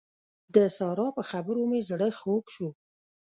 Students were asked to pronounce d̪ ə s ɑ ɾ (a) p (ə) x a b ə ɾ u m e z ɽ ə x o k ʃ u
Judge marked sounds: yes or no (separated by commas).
no, yes